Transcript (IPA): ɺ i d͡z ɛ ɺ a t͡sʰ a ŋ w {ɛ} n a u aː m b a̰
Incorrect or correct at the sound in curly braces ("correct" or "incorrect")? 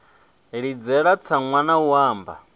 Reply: incorrect